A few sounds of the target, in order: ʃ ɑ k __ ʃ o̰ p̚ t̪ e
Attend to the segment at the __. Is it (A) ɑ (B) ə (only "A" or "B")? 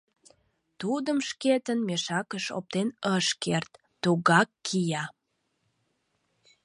B